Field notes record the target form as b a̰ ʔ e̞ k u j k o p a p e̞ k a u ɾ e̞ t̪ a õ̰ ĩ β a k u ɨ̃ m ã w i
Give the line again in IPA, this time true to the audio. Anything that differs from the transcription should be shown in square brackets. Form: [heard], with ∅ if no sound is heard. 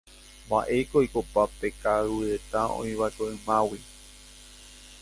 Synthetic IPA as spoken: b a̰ ʔ e̞ k [o] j k o p a p e̞ k a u ɾ e̞ t̪ a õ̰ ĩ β a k [o] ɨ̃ m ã w i